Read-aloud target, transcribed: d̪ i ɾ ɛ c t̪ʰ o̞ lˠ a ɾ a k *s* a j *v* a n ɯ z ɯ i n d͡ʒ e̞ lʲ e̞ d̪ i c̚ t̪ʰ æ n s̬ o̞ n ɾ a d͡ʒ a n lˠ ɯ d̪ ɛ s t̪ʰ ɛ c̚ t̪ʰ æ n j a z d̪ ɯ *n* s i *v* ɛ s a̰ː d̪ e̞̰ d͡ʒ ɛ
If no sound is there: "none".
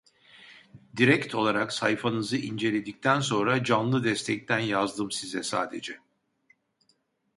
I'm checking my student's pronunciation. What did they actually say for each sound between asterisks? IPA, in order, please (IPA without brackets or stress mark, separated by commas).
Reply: s, f, m, z